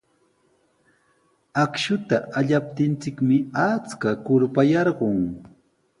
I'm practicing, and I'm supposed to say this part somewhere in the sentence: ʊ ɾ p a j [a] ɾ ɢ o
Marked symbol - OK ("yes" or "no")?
no